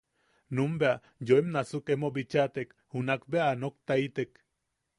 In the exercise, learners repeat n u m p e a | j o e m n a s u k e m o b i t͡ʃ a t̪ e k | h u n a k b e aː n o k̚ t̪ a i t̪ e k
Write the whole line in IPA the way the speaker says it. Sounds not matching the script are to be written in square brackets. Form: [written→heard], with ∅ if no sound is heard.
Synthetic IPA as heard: n u m [p→b] e a | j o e m n a s u k e m o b i t͡ʃ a t̪ e k | h u n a k b e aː n o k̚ t̪ a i t̪ e k